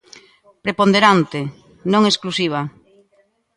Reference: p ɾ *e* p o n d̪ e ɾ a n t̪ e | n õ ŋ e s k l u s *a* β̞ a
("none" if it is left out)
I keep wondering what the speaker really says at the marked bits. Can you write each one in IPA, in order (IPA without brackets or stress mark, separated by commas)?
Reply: e, i